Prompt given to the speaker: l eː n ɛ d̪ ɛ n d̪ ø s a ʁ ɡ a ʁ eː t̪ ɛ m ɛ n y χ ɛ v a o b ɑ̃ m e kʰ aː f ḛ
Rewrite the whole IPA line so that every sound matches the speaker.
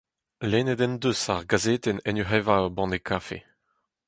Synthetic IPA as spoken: l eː n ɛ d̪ ɛ n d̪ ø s a ʁ ɡ a z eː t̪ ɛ n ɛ n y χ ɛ v a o b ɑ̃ n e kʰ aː f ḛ